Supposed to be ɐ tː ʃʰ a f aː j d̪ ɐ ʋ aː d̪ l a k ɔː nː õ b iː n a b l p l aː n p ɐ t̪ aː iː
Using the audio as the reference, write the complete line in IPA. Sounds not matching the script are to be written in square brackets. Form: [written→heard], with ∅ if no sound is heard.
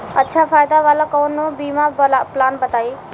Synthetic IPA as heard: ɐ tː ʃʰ a f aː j d̪ [ɐ→a] ʋ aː [d̪→∅] l a k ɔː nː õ b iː [n→m] a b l p l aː n [p→b] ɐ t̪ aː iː